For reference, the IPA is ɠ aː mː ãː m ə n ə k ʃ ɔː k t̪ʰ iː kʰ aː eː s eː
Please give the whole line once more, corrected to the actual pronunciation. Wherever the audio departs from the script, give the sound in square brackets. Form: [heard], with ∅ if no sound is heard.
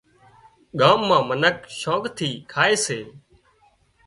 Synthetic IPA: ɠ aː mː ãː m ə n ə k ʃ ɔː k t̪ʰ iː kʰ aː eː s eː